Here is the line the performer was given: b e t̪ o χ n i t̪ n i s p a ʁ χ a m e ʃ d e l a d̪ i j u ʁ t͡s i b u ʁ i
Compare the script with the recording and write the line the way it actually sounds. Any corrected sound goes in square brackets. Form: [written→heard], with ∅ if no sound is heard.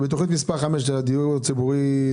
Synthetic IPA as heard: b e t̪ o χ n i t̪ [n→m] i s p a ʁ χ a m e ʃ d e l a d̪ i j u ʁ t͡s i b u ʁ i